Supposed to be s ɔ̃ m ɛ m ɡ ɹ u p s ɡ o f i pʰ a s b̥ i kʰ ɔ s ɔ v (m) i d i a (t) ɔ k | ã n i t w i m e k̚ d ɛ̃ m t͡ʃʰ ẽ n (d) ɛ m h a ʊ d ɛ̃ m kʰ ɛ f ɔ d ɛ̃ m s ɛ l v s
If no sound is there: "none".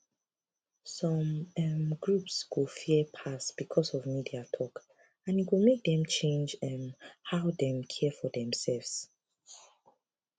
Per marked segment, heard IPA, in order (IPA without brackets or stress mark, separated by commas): m, tʰ, d͡ʒ